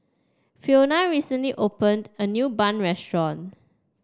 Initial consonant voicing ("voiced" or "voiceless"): voiceless